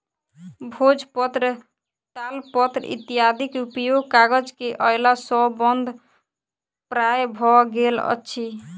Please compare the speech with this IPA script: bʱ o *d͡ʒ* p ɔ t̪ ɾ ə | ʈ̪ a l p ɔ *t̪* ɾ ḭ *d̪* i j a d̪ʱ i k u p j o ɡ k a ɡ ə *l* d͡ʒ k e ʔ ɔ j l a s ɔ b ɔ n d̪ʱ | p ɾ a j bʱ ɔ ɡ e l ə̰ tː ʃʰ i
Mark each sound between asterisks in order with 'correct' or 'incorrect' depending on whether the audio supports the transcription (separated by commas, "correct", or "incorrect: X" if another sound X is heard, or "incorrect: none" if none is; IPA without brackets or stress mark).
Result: correct, correct, incorrect: t̪, incorrect: none